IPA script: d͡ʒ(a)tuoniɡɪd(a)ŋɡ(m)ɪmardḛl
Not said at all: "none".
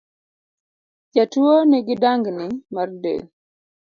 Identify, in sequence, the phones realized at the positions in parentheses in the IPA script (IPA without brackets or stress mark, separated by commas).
a, a, n